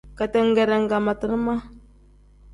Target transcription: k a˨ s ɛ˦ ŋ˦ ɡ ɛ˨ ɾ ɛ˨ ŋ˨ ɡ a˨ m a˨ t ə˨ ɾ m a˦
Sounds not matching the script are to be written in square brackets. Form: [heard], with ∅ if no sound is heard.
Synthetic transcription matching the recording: k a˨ [t] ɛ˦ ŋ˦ ɡ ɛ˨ ɾ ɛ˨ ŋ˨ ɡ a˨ m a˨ t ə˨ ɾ m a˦